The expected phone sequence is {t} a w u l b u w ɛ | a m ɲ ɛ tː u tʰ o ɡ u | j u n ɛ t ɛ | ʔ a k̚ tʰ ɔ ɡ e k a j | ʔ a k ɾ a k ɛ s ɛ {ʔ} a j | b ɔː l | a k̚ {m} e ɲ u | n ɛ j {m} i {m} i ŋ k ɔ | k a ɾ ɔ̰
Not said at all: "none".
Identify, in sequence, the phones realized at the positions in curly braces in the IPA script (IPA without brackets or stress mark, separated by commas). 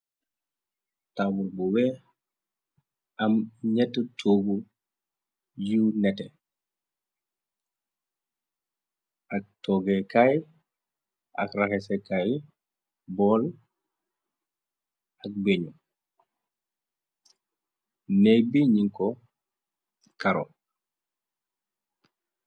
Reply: t, k, b, b, ɲ